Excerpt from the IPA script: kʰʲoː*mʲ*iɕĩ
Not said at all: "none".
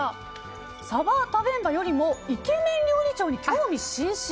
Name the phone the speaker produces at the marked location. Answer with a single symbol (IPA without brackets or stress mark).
mʲ